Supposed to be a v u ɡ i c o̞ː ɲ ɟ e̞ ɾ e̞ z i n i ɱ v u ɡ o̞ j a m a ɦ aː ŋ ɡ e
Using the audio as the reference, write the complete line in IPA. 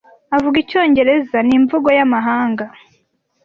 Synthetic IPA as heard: a v u ɡ i c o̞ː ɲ ɟ e̞ ɾ e̞ z a n i ɱ v u ɡ o̞ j a m a ɦ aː ŋ ɡ a